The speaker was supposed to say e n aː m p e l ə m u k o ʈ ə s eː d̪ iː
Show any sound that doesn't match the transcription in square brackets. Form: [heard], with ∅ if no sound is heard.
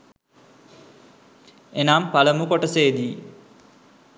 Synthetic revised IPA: e n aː m p [a] l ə m u k o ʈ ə s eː d̪ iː